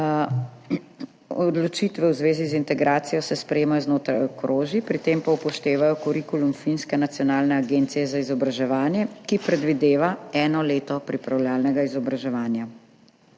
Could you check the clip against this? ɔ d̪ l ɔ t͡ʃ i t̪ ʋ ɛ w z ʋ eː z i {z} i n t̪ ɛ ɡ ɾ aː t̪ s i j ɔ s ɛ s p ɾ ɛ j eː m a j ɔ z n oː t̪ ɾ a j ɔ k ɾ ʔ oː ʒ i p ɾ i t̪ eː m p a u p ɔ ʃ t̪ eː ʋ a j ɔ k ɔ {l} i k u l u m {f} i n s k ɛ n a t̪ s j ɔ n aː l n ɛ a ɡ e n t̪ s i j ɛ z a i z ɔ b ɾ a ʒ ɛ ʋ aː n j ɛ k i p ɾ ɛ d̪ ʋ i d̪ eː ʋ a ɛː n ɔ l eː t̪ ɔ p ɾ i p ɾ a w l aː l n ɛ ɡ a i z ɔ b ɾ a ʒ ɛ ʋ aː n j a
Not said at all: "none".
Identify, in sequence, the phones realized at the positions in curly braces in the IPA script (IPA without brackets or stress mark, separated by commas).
z, ɾ, f